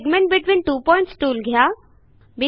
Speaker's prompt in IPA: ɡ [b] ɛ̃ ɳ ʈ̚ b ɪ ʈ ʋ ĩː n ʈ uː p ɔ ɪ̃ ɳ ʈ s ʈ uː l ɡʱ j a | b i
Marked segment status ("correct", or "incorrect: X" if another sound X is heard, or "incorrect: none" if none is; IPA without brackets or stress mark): incorrect: m